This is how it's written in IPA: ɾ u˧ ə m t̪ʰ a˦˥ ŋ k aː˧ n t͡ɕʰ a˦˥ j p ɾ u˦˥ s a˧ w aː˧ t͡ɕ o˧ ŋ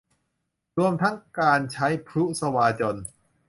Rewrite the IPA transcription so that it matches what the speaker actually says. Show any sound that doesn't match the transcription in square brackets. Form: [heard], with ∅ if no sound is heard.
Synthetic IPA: ɾ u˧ ə m t̪ʰ a˦˥ ŋ k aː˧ n t͡ɕʰ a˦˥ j [pʰ] ɾ u˦˥ s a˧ w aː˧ t͡ɕ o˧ [n]